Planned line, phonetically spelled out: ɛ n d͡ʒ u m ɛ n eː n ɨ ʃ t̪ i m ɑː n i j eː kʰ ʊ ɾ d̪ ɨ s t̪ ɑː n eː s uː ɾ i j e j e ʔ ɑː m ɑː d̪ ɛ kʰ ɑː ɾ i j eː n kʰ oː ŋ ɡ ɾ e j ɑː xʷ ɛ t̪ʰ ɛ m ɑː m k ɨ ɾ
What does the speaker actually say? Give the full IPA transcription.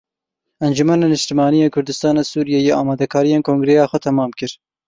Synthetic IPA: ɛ n d͡ʒ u m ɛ n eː n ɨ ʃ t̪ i m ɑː n i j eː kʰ ʊ ɾ d̪ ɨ s t̪ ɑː n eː s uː ɾ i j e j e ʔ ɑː m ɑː d̪ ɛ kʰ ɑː ɾ i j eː n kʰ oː ŋ ɡ ɾ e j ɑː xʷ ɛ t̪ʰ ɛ m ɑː m k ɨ ɾ